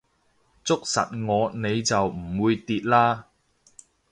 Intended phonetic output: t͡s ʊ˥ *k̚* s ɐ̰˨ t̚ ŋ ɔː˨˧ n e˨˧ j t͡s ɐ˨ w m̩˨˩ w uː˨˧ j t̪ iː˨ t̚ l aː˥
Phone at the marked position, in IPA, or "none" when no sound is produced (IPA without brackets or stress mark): k̚